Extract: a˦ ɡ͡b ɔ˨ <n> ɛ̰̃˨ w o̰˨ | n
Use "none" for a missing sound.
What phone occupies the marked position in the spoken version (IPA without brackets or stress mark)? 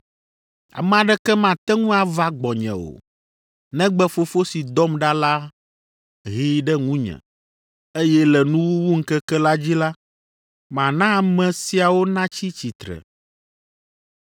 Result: ɲ